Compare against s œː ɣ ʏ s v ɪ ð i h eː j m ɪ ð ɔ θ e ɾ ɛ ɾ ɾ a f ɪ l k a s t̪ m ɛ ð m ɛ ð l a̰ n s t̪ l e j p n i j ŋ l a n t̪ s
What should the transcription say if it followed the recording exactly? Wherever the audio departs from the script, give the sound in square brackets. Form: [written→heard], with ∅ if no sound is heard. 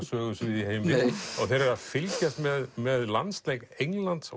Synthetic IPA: s œː ɣ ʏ s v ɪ ð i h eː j m ɪ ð ɔ θ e ɾ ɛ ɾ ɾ a f ɪ l [k→c] a s t̪ m ɛ ð m ɛ ð l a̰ n s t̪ l e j [p→k] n [i→e] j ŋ l a n t̪ s